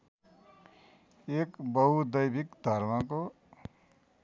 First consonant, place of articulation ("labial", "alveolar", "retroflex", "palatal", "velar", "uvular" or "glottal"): velar